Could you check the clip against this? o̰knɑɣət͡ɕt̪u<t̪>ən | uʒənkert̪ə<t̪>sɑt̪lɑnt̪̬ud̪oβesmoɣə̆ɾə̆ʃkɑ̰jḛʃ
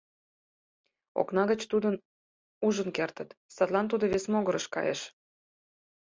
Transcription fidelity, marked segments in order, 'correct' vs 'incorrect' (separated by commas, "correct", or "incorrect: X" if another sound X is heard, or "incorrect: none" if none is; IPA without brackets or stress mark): incorrect: d̪, correct